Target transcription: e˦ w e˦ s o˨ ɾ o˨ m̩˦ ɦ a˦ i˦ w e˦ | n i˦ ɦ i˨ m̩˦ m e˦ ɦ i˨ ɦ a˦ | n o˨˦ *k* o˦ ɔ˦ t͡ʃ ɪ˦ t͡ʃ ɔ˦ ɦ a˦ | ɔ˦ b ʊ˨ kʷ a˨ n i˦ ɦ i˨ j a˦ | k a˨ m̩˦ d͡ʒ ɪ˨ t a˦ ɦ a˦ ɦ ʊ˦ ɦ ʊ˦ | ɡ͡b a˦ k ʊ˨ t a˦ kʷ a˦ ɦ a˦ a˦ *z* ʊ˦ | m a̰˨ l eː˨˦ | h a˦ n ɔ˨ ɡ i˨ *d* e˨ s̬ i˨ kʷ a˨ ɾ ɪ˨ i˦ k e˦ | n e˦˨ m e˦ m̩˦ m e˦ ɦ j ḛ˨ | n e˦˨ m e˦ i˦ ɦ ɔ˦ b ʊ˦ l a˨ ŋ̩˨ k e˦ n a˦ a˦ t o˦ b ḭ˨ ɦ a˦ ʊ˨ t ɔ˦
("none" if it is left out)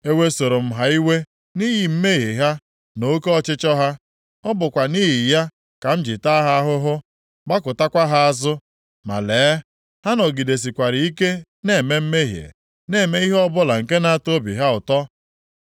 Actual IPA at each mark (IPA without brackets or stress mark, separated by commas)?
k, z, d